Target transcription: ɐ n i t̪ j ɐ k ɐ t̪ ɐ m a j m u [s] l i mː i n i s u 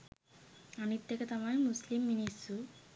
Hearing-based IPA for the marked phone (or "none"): s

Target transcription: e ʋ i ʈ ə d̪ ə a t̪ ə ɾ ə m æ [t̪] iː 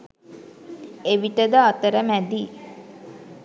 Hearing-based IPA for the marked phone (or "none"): d̪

